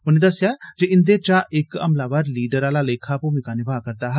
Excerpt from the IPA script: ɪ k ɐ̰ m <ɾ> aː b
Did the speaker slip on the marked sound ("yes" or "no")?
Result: yes